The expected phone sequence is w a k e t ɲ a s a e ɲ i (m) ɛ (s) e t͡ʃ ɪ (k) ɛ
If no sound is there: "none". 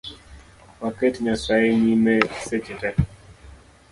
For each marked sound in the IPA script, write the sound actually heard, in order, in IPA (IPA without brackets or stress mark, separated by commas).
m, s, t